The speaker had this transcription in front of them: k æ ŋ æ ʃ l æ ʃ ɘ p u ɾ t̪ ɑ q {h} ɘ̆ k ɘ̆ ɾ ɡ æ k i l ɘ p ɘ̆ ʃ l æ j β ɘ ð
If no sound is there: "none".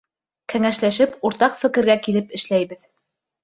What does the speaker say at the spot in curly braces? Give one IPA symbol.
f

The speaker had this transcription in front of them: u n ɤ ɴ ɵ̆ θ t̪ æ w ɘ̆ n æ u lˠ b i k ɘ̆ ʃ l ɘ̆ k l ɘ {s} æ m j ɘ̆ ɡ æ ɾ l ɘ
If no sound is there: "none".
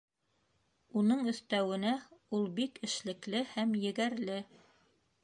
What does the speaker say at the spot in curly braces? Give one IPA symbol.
h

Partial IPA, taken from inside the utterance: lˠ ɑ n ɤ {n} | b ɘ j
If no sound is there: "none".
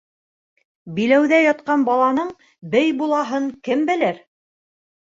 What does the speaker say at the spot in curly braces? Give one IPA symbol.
ɴ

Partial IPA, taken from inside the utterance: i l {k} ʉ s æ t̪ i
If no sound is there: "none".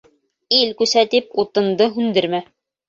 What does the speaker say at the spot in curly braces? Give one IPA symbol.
k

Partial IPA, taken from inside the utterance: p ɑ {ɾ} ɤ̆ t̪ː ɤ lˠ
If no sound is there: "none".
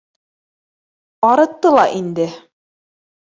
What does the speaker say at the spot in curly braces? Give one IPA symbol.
ɾ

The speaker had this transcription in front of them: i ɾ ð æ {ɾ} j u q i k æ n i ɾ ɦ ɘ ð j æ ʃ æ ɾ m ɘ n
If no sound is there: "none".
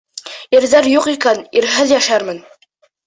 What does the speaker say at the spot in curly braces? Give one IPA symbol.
ɾ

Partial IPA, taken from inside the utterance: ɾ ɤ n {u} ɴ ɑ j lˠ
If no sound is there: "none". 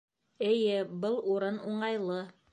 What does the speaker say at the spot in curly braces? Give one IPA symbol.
u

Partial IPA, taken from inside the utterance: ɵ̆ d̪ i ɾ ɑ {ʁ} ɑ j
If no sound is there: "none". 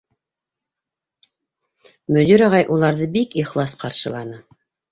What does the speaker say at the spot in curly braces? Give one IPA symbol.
ʁ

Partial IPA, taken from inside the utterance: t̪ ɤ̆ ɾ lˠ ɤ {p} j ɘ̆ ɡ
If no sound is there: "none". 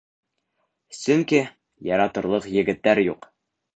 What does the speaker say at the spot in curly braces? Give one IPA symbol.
q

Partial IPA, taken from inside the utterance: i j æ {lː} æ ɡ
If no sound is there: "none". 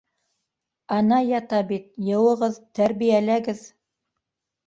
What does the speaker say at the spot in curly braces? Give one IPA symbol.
l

